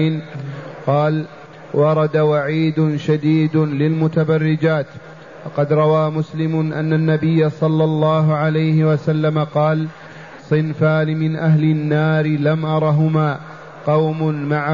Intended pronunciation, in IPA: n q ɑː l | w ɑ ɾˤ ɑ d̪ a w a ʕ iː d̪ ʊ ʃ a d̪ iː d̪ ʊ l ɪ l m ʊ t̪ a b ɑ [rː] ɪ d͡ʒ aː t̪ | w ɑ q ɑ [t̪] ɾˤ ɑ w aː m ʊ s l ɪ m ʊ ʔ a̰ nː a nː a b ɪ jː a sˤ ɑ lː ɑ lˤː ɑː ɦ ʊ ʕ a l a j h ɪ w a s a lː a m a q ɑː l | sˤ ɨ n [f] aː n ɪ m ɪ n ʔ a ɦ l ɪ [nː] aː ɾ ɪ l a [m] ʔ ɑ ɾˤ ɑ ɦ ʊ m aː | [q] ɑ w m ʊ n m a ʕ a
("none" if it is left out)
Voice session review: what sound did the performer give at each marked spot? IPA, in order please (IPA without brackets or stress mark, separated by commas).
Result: rː, d̪, f, nː, m, q